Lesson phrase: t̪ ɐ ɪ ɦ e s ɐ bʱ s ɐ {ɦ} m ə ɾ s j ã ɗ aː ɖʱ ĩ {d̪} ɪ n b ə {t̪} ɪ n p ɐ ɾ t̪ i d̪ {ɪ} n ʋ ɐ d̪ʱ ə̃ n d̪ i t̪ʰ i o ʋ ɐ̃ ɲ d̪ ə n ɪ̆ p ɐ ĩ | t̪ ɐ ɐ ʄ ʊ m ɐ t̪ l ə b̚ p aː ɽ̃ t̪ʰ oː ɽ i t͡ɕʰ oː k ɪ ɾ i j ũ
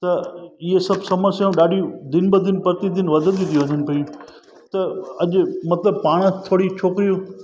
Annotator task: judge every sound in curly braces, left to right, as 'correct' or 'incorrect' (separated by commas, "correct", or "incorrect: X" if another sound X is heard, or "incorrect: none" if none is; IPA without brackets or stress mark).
incorrect: none, correct, incorrect: d̪, correct